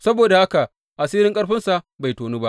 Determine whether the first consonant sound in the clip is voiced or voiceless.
voiceless